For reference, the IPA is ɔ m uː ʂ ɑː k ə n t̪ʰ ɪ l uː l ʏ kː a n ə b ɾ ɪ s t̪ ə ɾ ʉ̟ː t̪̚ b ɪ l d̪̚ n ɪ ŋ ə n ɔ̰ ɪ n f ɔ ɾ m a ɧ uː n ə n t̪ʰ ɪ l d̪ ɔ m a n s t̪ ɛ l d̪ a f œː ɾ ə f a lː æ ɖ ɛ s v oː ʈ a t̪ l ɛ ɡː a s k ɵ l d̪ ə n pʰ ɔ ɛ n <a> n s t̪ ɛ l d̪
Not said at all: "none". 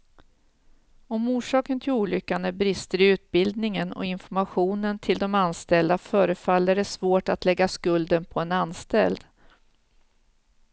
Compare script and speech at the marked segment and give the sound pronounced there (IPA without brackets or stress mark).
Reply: a